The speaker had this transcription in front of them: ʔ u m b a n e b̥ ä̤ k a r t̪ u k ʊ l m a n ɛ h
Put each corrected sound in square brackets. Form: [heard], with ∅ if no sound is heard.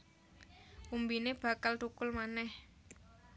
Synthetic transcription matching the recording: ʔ u m b [i] n e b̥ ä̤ k a [l] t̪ u k ʊ l m a n ɛ h